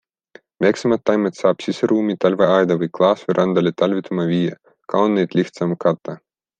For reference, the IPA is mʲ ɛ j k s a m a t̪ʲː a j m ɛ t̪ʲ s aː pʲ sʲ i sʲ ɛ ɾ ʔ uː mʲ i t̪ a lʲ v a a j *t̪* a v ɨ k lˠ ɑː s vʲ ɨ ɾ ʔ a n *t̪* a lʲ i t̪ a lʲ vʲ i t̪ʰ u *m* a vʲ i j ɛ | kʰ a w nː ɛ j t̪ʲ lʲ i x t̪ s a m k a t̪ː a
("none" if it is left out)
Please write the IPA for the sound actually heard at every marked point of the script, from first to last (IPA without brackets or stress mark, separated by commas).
d̪, d̪, m